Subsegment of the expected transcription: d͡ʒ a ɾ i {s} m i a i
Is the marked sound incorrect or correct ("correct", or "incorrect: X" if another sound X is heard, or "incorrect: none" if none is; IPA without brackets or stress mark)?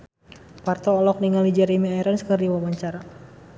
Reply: incorrect: none